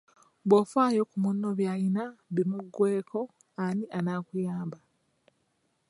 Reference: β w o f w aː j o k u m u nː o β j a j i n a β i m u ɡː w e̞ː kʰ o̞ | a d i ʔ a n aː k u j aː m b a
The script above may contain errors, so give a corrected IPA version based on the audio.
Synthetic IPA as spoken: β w o f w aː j o k u m u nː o β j a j i n a β i m u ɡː w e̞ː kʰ o̞ | a n i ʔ a n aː k u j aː m b a